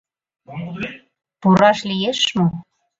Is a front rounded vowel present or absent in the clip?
absent